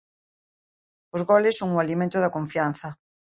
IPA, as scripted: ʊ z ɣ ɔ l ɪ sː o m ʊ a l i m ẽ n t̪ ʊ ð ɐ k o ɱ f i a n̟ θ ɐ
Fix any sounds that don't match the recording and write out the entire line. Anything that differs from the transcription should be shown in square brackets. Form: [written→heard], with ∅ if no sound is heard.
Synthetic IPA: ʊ z ɣ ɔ l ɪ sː o [m→ŋ] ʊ a l i m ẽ n t̪ ʊ ð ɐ k o ɱ f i a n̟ θ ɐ